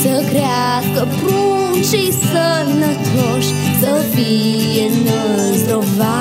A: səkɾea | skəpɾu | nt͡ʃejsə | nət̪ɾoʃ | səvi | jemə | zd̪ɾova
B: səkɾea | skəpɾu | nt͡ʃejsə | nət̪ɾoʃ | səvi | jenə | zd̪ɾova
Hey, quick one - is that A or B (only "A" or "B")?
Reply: B